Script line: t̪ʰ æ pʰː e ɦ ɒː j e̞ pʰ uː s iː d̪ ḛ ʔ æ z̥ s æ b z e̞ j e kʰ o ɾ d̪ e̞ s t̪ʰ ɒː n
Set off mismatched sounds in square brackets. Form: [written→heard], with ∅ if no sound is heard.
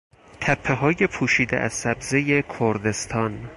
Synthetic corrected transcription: t̪ʰ æ pʰː e ɦ ɒː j e̞ pʰ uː [s→ʃ] iː d̪ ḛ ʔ æ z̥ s æ b z e̞ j e kʰ o ɾ d̪ e̞ s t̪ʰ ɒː n